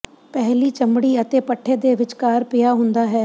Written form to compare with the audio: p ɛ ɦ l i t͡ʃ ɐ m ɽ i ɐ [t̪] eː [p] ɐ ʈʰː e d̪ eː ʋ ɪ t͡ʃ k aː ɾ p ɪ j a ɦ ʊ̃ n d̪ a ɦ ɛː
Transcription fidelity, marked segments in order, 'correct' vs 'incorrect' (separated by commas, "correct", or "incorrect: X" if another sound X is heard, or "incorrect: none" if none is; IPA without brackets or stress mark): correct, correct